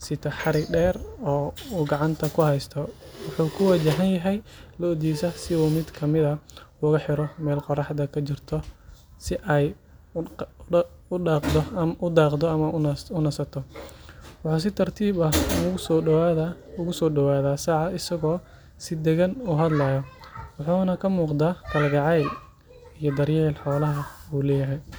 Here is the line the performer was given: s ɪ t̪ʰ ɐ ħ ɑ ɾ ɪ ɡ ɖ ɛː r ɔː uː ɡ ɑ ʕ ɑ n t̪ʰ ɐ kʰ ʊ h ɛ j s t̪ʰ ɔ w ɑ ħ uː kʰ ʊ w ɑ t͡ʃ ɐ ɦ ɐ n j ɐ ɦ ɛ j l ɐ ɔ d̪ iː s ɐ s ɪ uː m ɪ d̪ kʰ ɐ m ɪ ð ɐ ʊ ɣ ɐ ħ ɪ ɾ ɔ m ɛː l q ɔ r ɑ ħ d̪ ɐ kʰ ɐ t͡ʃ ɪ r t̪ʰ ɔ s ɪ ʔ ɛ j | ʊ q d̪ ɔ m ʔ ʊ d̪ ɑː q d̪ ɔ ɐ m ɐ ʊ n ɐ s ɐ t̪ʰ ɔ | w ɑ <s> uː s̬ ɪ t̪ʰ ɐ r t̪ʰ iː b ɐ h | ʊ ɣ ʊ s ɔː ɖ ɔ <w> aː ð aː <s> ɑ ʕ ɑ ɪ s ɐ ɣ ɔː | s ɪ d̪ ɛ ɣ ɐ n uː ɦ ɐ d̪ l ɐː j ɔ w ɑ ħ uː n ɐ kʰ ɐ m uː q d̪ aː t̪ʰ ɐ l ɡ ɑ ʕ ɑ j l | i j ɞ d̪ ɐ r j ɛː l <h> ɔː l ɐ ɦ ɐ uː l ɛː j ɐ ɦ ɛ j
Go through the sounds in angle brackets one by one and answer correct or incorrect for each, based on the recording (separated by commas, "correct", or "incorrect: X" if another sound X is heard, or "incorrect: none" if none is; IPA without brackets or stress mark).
incorrect: ħ, correct, correct, incorrect: ħ